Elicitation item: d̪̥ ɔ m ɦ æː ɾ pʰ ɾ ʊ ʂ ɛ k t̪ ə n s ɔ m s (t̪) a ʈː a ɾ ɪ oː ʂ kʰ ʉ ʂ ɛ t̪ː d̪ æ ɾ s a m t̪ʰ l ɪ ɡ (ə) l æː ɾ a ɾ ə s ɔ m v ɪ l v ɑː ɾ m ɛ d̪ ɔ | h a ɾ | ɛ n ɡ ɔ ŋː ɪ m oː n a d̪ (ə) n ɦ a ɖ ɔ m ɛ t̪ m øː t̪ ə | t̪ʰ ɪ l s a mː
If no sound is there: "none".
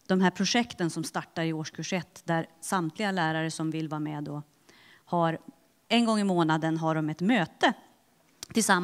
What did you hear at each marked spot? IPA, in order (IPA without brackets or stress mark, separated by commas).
t̪, a, ə